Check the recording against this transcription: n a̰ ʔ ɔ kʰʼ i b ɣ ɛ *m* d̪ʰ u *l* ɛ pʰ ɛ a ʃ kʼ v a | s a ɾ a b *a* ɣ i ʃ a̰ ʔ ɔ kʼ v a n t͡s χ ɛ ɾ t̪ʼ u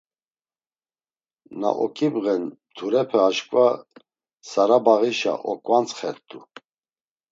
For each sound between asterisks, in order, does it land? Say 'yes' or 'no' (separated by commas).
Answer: no, no, yes